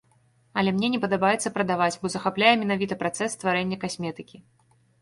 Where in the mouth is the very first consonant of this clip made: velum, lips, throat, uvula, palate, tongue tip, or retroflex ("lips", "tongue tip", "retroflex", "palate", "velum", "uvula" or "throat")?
tongue tip